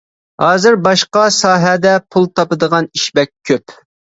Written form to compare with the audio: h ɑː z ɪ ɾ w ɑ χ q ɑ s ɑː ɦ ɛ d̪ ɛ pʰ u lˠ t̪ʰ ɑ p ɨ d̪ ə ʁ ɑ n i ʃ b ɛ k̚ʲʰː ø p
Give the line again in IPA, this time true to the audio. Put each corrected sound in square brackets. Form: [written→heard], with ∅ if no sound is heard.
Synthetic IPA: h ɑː z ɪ ɾ [w→b] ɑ [χ→ʃ] q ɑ s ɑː ɦ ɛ d̪ ɛ pʰ u lˠ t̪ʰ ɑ p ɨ d̪ ə ʁ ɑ n i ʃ b ɛ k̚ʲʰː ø p